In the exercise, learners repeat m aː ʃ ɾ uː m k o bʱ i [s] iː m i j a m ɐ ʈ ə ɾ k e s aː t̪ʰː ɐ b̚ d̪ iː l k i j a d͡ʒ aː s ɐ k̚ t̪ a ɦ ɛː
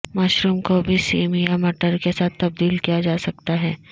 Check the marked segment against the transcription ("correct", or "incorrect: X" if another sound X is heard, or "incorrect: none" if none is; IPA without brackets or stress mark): correct